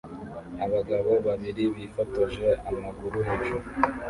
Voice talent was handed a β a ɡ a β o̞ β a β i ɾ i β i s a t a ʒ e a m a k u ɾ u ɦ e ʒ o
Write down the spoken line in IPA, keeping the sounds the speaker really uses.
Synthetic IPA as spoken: a β a ɡ a β o̞ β a β i ɾ i β i f a t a ʒ e a m a ɡ u ɾ u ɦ e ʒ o